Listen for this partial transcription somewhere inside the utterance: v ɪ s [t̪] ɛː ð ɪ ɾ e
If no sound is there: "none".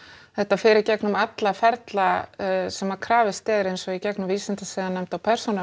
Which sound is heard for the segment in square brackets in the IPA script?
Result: t̪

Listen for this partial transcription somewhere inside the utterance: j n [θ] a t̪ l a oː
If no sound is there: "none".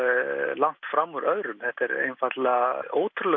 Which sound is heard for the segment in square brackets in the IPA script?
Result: f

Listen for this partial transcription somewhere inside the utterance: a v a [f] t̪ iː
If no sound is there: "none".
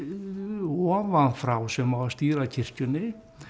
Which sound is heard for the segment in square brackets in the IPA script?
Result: s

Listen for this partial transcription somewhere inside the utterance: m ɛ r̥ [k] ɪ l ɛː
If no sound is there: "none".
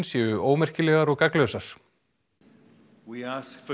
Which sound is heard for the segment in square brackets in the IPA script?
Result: c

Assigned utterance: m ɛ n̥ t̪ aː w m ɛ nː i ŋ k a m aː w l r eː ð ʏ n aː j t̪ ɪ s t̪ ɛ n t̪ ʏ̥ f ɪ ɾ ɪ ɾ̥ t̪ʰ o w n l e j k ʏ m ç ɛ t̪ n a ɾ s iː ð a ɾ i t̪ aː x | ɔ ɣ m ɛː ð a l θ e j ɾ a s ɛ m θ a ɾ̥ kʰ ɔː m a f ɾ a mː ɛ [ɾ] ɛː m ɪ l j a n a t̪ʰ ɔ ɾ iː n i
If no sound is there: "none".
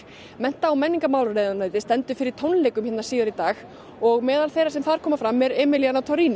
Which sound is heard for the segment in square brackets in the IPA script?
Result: ɾ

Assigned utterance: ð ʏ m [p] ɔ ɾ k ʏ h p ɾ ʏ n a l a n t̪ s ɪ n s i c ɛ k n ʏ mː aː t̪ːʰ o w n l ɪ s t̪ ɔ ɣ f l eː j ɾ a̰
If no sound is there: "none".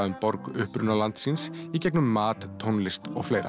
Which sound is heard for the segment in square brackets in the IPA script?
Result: p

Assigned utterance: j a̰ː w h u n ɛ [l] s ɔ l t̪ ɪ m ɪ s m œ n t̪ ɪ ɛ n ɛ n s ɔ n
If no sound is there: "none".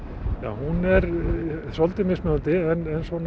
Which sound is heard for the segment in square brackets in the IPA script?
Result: ɾ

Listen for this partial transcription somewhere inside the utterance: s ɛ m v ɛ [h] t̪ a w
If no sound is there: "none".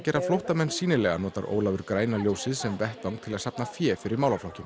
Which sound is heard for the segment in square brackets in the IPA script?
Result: h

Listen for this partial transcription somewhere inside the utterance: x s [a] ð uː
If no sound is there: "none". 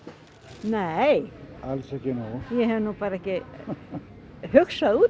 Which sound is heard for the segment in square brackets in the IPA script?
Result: a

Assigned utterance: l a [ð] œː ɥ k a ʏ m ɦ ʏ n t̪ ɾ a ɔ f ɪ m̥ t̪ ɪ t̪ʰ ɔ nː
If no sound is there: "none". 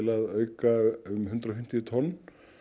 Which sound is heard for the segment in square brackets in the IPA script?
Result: ð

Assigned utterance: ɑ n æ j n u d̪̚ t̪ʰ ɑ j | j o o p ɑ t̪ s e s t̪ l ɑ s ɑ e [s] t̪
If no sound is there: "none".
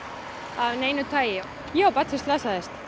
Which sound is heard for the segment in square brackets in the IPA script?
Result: s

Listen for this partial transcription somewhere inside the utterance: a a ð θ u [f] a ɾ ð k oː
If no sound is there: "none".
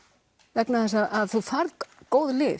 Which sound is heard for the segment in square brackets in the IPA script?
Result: f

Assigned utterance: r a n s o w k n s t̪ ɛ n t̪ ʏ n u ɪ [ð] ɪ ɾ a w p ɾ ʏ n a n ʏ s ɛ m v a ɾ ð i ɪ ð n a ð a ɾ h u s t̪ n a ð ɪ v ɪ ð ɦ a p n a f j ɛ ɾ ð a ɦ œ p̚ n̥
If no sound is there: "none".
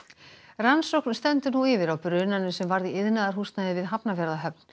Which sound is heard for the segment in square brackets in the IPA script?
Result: v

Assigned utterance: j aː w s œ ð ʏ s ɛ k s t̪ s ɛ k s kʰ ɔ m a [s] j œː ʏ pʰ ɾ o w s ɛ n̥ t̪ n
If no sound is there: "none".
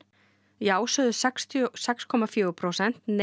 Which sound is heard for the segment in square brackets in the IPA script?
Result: f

